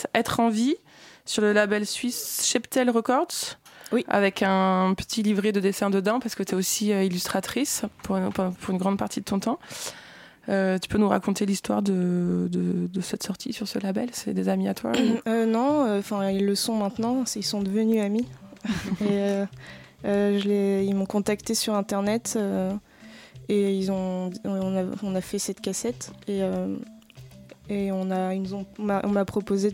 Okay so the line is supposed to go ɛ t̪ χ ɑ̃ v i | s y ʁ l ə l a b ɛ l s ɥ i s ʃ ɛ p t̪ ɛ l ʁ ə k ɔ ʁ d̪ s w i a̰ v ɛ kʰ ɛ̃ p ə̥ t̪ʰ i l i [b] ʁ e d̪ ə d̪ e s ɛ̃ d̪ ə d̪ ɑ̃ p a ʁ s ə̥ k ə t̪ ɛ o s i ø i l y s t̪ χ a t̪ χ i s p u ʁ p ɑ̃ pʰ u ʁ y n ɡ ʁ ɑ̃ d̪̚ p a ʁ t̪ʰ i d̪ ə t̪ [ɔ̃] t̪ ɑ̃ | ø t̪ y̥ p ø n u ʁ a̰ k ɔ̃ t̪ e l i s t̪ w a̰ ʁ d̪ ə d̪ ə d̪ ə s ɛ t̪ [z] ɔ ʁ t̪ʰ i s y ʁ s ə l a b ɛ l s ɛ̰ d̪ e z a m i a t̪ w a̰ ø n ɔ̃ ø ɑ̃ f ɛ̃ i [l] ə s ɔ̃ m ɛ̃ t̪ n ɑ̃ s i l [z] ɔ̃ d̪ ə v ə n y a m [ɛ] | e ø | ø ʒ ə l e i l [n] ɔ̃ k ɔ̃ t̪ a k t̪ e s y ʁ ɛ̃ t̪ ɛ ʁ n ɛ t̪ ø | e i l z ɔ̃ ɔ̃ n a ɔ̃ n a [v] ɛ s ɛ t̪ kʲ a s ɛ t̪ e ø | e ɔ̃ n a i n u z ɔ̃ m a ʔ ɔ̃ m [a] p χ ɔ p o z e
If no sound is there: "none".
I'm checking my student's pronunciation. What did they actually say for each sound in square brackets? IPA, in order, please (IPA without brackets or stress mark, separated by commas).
v, ɔ̃, s, lː, s, i, m, f, a